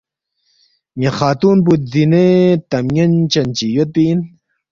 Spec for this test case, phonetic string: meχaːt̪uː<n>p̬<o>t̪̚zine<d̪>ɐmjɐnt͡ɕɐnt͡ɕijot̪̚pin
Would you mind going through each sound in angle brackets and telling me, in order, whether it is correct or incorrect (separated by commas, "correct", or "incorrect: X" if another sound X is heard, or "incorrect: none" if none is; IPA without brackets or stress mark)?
correct, incorrect: u, incorrect: t̪